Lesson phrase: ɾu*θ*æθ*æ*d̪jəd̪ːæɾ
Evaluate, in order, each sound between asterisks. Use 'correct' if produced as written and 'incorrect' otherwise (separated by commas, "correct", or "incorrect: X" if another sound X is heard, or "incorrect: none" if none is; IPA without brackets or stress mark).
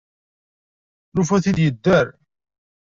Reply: incorrect: f, incorrect: i